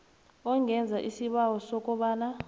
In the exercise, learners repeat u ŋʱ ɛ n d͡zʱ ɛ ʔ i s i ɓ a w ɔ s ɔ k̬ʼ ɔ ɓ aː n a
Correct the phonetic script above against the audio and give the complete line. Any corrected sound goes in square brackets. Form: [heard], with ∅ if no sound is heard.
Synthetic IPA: [ɔ] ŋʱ ɛ n d͡zʱ [a] ʔ i s i ɓ a w ɔ s ɔ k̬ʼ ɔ ɓ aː n a